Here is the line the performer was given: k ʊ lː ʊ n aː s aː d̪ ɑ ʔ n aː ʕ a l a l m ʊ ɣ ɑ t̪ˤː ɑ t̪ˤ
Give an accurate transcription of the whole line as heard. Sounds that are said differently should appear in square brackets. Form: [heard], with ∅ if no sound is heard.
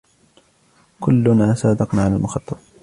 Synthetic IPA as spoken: k ʊ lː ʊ n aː s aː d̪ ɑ [q] n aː ʕ a l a l m ʊ [x] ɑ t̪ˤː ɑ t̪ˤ